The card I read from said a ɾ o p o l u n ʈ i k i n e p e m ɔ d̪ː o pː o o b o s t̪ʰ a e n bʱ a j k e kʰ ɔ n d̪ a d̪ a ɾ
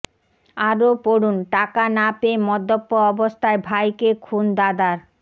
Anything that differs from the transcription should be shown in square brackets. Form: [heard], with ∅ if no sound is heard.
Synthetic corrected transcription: a ɾ o p o [ɽ] u n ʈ [a] k [a] n [a] p e m ɔ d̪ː o pː o [ɔ] b o s t̪ʰ a e [∅] bʱ a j k e kʰ [u] n d̪ a d̪ a ɾ